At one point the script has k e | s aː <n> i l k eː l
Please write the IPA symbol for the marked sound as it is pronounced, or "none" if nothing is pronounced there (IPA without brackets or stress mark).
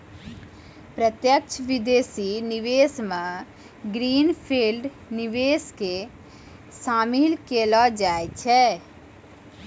m